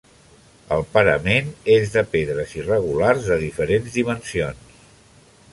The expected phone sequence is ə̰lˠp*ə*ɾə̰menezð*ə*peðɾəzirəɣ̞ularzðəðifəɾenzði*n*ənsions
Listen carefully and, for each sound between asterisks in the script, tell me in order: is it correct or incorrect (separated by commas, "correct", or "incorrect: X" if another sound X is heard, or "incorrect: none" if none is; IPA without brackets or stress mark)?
correct, correct, incorrect: m